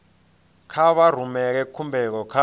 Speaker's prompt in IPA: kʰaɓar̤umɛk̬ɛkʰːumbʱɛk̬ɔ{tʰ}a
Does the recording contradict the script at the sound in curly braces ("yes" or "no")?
yes